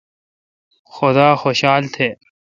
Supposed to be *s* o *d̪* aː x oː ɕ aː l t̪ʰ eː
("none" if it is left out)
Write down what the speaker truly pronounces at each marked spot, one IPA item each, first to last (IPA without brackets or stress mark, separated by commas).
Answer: x, d̪